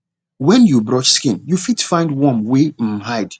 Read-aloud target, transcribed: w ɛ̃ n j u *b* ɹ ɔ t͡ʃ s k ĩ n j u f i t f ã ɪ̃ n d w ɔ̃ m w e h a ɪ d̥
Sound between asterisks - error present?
no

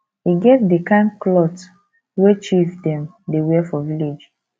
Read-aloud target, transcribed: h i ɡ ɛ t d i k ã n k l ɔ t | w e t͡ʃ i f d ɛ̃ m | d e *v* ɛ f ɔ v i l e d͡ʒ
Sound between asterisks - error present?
yes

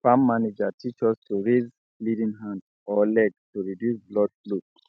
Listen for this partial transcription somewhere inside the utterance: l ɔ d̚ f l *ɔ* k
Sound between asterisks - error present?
yes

